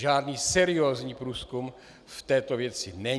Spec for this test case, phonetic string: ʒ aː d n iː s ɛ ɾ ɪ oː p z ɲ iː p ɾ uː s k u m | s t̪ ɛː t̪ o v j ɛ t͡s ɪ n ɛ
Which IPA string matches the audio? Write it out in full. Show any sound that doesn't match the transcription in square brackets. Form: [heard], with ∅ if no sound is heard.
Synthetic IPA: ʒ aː d n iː s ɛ ɾ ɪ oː [∅] z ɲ iː p ɾ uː s k u m | [f] t̪ ɛː t̪ o v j ɛ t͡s ɪ n ɛ